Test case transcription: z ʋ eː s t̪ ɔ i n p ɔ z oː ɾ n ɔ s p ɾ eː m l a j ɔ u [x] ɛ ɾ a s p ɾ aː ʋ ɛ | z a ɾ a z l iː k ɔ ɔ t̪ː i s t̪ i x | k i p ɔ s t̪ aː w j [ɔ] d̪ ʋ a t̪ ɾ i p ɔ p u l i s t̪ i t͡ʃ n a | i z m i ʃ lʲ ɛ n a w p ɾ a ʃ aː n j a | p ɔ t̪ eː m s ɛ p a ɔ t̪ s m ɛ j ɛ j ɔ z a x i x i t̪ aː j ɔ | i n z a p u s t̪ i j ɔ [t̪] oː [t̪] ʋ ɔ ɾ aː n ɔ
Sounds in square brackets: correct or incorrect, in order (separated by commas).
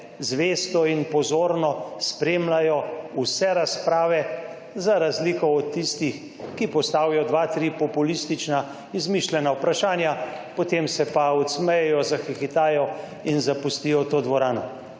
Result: incorrect, correct, correct, incorrect